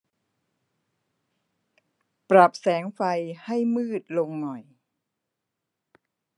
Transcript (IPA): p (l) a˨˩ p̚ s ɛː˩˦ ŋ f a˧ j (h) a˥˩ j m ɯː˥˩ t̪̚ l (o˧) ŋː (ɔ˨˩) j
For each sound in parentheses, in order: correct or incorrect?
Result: incorrect: ɾ, correct, correct, correct

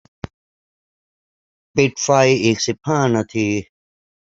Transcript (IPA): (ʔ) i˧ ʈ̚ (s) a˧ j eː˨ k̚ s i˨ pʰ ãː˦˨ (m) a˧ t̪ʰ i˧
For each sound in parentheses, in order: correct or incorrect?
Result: incorrect: p, incorrect: f, incorrect: n

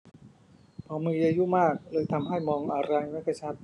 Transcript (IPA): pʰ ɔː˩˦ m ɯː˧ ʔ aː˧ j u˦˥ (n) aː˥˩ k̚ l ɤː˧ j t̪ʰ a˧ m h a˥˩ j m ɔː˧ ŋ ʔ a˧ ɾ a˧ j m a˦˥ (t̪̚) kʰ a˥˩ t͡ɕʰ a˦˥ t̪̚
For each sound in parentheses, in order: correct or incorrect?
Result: incorrect: m, incorrect: none

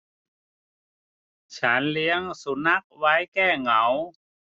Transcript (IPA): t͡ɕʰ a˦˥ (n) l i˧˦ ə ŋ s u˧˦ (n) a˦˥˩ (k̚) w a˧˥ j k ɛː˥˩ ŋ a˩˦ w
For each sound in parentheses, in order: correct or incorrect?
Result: correct, correct, correct

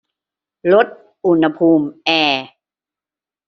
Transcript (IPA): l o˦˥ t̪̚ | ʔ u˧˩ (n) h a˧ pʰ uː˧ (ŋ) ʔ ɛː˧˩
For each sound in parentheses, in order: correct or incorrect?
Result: correct, incorrect: m

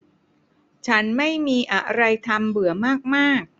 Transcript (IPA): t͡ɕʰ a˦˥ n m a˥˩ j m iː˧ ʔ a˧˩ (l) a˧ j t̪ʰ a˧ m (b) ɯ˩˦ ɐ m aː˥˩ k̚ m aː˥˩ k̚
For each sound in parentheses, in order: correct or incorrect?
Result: incorrect: ɾ, correct

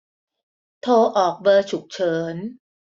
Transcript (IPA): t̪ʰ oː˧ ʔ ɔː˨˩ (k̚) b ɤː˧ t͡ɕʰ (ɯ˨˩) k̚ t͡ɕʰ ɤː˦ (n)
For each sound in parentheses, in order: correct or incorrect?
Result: correct, incorrect: u˨˩, correct

